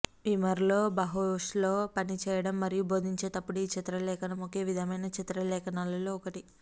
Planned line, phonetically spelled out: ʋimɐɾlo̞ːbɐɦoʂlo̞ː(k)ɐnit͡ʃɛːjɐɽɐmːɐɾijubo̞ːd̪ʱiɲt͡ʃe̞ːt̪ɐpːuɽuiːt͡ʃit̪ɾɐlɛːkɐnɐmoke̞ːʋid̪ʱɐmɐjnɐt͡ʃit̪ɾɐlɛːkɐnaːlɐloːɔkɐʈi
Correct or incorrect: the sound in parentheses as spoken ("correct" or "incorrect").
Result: incorrect